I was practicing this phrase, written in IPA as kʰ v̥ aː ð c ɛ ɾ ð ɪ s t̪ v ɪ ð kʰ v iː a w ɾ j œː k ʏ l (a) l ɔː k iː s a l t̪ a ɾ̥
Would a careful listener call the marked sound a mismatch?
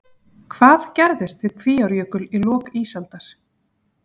yes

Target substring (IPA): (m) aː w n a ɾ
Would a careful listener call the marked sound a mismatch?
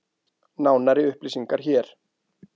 yes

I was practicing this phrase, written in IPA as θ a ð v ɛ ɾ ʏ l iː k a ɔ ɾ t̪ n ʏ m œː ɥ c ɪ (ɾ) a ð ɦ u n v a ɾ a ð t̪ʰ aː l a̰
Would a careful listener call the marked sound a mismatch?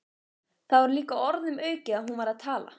yes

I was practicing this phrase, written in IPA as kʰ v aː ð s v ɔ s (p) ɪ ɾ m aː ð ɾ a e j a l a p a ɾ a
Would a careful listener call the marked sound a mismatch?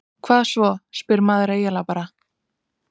no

